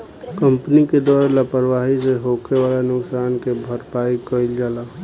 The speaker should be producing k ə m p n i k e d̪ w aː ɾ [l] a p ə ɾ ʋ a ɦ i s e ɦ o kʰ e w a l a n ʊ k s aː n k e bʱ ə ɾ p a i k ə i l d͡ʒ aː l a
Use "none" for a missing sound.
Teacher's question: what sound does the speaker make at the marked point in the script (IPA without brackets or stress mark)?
l